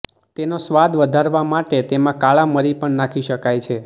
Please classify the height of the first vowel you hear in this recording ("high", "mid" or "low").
mid